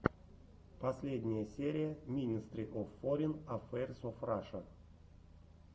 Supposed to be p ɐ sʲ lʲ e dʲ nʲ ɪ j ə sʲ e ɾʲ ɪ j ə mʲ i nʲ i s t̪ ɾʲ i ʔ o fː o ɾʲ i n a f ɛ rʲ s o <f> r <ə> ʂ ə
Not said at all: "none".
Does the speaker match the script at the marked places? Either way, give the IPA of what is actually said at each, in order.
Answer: f, a

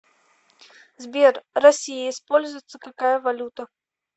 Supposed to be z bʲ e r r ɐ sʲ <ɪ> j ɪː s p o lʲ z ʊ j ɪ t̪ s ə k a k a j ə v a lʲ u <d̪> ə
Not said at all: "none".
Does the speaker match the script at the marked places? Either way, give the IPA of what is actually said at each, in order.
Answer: i, t̪

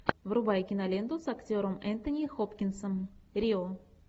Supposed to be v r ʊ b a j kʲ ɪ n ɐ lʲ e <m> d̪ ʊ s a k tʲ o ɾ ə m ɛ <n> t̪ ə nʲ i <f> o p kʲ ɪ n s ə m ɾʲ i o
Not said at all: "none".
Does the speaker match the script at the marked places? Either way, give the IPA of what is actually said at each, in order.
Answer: n, n, x

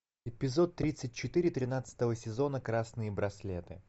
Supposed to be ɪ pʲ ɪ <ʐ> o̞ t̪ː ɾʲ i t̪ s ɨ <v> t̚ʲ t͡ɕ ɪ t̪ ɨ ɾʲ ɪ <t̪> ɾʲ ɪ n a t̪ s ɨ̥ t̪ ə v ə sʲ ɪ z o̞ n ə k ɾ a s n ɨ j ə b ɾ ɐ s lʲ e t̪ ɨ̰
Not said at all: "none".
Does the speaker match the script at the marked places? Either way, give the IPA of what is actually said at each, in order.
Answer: z, none, t̪

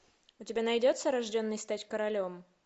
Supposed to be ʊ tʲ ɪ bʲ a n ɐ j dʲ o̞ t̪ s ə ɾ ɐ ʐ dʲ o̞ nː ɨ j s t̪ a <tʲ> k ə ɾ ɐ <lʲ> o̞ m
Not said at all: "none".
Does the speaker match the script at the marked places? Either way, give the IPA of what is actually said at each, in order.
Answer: tʲ, lʲ

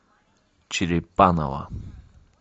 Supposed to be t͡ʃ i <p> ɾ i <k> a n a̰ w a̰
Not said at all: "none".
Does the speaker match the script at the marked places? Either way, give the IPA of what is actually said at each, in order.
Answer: none, p

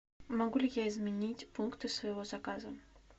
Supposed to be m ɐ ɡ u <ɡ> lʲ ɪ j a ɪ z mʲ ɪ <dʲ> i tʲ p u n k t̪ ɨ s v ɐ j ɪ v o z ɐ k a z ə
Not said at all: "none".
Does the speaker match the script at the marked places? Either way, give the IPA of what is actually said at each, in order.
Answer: none, nʲ

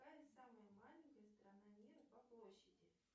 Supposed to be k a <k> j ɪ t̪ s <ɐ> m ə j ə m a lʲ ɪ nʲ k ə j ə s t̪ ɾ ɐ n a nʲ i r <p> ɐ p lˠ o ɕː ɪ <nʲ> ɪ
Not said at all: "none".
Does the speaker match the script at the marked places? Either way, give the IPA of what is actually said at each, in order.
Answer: none, a, p, dʲ

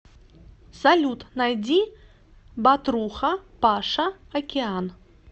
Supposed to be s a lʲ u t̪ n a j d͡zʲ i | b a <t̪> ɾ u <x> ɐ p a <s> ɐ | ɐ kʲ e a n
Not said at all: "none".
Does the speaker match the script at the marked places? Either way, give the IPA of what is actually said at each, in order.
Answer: t̪, x, ʂ

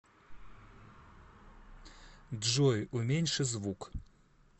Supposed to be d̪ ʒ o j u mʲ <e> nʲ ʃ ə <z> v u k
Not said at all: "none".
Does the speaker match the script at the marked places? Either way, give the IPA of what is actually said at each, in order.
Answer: e, z

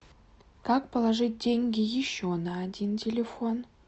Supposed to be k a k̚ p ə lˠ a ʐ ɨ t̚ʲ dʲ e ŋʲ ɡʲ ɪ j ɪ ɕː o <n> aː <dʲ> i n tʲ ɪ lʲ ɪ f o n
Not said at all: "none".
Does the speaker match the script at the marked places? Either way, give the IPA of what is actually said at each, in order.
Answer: n, dʲ

